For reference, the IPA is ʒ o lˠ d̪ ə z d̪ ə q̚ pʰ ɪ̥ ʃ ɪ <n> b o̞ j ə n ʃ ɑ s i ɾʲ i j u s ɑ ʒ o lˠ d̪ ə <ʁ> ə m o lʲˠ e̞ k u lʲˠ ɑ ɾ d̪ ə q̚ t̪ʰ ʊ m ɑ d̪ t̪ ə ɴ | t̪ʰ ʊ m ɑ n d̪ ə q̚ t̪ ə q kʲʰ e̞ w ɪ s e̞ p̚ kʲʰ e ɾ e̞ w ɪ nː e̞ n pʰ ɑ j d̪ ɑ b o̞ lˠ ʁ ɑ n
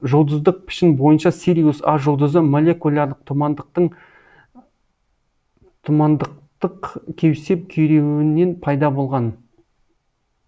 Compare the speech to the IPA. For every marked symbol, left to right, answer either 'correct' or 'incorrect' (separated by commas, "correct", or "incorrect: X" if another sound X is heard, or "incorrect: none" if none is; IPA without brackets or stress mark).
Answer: correct, incorrect: z